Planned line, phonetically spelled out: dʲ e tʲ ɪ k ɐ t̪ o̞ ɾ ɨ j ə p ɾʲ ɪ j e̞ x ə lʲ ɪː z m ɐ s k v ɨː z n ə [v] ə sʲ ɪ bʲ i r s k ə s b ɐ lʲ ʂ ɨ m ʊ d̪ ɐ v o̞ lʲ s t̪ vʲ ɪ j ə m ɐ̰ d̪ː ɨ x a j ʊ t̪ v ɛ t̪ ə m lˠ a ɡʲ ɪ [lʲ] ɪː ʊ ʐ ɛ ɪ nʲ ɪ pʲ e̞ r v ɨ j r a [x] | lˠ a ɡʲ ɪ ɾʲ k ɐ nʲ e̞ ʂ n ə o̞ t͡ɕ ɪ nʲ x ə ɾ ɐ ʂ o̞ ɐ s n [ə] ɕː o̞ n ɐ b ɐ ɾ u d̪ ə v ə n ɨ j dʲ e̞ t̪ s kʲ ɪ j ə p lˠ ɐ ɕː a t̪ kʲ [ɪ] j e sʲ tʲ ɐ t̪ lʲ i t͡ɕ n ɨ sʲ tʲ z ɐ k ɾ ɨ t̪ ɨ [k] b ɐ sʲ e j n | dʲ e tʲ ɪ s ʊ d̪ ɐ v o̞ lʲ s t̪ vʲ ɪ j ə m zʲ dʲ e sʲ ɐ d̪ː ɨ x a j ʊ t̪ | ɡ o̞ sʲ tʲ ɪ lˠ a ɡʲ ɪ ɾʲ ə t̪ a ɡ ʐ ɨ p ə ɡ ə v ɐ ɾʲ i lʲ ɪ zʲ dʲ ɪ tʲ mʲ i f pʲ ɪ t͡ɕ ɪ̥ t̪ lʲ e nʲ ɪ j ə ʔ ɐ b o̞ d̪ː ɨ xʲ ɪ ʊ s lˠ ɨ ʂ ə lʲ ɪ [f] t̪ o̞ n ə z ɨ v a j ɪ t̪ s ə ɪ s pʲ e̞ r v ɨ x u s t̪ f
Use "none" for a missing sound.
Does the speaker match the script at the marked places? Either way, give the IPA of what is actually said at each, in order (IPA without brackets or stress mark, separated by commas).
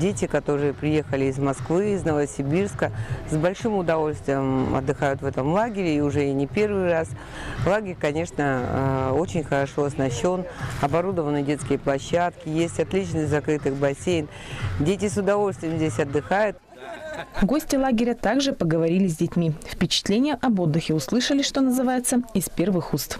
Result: v, ɾʲ, s, ɐ, ɪ, x, ʂ